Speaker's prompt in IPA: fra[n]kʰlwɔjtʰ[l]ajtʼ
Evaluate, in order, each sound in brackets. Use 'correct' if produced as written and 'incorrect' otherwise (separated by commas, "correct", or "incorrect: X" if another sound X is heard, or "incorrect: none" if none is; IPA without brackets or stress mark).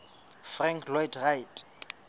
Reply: incorrect: ŋ, incorrect: r